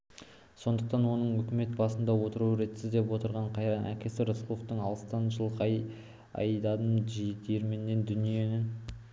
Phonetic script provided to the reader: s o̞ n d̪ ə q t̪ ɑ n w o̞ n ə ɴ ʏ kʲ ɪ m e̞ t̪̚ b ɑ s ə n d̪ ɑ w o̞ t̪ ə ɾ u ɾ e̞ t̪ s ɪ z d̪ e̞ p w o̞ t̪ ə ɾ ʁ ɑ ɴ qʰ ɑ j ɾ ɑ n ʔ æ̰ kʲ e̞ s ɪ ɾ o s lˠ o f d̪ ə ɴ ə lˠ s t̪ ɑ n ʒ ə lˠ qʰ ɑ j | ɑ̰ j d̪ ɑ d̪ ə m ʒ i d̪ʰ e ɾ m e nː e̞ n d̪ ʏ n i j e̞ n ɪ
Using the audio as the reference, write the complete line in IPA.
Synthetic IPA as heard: s o̞ n d̪ ə q t̪ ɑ n w o̞ n ə ɴ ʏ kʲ ɪ m e̞ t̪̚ b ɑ s ə n d̪ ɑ w o̞ t̪ ə ɾ u ɾ e̞ t̪ s ɪ z d̪ e̞ p w o̞ t̪ ə ɾ ʁ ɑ ɴ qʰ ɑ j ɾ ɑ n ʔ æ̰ kʲ e̞ s ɪ ɾ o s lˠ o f t̪ ə ɴ ɑ lˠ s t̪ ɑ n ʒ ə lˠ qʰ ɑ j | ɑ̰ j d̪ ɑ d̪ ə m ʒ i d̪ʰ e ɾ m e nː e̞ n d̪ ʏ n i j e̞ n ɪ